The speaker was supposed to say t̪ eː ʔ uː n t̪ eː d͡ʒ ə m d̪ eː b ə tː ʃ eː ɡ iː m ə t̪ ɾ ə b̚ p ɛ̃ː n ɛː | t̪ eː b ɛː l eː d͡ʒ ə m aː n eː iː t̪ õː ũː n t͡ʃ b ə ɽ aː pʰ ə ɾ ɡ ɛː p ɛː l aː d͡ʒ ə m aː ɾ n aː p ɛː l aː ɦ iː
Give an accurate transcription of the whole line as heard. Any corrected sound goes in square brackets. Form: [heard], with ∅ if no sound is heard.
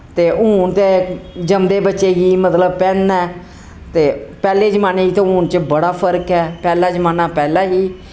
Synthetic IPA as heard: t̪ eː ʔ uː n t̪ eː d͡ʒ ə m d̪ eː b ə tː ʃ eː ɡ iː m ə t̪ [l] ə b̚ p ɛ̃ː n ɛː | t̪ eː [p] ɛː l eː d͡ʒ ə m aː n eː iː t̪ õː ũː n t͡ʃ b ə ɽ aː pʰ ə ɾ [k] ɛː p ɛː l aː d͡ʒ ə m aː [∅] n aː p ɛː l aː ɦ iː